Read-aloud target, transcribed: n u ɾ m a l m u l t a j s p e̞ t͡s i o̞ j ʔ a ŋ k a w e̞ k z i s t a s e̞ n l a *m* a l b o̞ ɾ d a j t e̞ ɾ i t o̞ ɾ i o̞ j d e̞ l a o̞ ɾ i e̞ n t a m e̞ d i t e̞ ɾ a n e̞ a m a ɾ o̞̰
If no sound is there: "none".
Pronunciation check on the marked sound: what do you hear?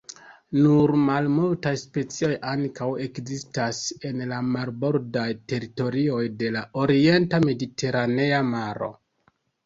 m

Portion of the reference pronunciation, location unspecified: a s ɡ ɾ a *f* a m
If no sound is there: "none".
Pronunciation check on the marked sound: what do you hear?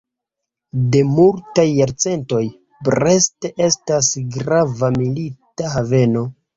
v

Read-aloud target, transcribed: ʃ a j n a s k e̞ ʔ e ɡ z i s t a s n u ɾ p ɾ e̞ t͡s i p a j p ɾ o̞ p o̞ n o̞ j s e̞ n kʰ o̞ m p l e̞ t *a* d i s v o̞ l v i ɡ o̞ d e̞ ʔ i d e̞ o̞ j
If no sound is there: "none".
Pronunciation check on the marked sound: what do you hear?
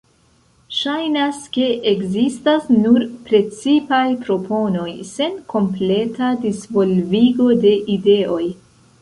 a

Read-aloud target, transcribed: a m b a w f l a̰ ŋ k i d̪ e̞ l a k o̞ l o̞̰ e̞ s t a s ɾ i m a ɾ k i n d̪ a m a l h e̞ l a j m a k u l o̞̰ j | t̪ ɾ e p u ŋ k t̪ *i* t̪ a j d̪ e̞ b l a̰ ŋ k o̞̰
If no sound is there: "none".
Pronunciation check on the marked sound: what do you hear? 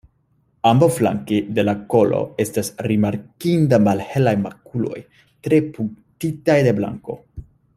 i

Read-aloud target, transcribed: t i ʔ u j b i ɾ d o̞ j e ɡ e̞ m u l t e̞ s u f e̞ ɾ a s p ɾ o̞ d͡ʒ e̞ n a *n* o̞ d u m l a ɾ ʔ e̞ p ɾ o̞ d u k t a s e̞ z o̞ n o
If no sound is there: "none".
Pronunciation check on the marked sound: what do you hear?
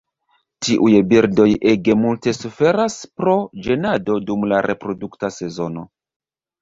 d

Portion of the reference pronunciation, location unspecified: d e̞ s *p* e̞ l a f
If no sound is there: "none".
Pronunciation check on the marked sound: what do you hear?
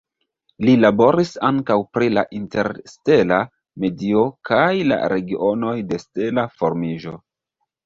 t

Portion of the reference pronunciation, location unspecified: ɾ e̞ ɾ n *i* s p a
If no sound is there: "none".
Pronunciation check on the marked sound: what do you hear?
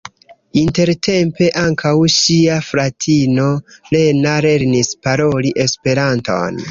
i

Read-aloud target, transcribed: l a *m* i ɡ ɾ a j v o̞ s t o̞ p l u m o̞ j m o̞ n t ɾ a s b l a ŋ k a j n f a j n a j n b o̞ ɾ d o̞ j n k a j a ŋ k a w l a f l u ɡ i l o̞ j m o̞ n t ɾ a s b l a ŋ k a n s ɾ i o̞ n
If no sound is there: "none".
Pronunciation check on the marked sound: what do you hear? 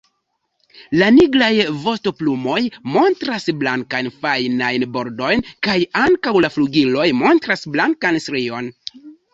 n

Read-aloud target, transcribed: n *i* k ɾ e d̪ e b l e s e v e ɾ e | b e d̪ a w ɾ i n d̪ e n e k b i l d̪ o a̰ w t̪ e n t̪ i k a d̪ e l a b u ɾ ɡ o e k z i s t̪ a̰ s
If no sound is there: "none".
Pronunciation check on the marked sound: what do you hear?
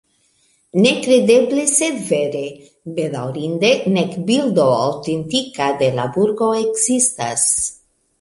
e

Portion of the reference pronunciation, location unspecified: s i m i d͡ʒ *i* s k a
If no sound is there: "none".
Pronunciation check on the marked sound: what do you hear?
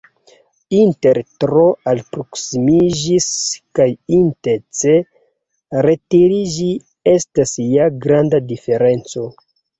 i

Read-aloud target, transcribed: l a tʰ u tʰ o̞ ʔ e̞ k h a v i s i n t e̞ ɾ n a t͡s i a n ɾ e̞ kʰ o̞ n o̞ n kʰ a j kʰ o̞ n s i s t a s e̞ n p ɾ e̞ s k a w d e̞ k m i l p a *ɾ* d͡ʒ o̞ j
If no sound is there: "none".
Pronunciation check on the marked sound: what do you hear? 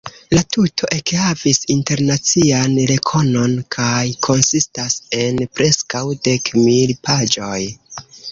none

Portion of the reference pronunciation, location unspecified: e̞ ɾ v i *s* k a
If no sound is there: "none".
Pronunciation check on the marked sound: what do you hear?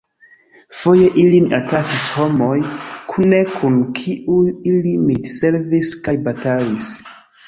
s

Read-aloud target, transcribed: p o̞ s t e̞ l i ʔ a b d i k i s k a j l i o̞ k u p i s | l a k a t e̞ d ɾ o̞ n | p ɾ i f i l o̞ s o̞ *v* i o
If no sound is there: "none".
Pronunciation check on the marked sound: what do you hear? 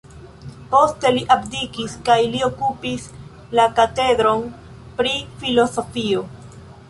f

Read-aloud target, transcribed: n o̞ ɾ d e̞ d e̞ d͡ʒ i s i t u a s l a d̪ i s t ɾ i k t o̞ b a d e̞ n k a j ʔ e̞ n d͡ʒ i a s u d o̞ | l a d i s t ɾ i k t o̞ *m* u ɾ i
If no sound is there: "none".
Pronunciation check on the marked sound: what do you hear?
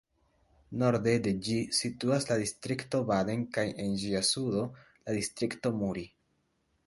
m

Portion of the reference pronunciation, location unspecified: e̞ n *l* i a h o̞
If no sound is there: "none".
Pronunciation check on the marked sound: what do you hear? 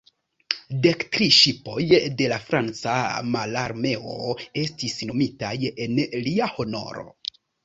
l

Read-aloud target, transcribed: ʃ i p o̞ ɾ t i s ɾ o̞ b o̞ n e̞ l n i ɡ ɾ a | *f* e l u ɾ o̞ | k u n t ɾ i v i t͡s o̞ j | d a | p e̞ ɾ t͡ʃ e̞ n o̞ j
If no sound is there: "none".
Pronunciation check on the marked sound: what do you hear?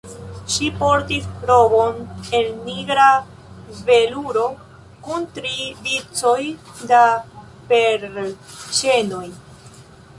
v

